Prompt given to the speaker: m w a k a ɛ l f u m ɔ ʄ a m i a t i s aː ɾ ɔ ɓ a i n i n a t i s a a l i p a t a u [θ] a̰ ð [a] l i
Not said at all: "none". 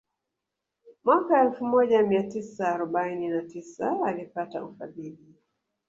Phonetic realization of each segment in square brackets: f, i

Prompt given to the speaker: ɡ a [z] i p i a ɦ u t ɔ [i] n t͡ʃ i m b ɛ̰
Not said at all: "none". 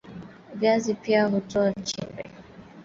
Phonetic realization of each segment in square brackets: z, a

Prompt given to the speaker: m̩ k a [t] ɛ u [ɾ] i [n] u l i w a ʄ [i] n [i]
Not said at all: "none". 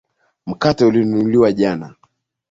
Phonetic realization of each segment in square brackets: t, l, n, a, a

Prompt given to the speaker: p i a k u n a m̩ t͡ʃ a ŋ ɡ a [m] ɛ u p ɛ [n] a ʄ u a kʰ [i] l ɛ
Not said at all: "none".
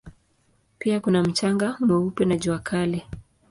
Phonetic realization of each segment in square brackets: m, n, a

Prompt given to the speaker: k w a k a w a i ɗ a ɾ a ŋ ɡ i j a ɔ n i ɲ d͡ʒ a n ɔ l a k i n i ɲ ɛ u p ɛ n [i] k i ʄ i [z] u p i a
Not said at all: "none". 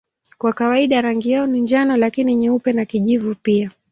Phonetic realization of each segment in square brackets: a, v

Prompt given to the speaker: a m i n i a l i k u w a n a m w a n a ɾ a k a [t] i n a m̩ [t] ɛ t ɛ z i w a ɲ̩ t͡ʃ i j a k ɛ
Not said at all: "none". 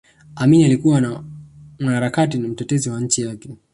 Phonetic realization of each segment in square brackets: t, t

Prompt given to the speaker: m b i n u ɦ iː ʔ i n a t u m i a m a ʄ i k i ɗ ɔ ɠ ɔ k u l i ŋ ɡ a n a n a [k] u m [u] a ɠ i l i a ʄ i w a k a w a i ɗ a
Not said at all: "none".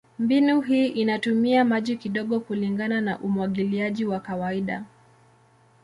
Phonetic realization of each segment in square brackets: ʔ, w

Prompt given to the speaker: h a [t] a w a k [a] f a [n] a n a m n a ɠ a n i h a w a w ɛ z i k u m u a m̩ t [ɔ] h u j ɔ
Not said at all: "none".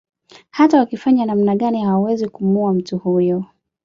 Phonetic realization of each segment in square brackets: t, i, ɲ, u

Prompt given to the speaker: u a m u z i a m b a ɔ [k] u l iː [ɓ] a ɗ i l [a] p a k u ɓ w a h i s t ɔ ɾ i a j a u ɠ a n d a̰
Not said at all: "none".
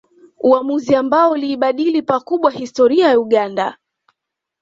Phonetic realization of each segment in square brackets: none, ɓ, i

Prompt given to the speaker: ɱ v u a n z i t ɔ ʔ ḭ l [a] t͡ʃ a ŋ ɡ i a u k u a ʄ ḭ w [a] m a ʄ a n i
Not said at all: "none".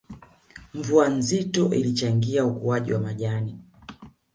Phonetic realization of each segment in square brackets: i, a

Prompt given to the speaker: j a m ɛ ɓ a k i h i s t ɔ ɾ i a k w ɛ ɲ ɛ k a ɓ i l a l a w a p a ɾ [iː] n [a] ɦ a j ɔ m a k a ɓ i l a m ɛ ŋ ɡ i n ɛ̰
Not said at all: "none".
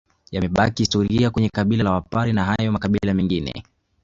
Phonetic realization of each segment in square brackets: i, a

